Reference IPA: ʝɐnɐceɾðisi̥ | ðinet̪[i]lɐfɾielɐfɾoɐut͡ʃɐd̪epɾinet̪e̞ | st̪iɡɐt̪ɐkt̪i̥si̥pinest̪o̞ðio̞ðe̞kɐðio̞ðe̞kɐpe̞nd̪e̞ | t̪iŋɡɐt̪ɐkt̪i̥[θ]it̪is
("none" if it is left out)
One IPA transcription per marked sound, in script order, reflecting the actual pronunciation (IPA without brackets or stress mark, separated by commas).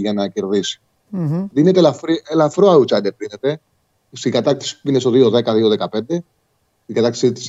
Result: e, s